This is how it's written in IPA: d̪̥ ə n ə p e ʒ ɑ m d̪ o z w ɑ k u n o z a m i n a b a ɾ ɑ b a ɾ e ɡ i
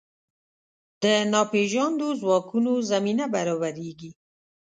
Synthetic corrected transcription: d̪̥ ə n ɑ p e ʒ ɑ n d̪ o z w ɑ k u n o z a m i n a b a ɾ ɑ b a ɾ e ɡ i